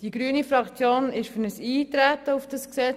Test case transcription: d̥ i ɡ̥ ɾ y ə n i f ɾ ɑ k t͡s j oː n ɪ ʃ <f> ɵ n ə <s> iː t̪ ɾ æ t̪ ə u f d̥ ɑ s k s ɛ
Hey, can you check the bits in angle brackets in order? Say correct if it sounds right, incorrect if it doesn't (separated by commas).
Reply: correct, correct